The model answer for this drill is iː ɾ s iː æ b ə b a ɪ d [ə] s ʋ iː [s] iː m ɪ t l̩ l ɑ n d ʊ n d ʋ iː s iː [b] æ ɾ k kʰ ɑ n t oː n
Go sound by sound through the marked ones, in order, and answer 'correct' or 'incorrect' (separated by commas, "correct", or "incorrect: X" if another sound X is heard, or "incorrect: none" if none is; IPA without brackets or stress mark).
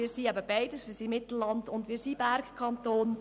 correct, correct, correct